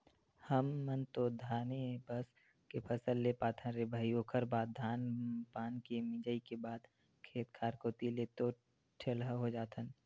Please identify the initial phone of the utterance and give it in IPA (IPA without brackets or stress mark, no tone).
h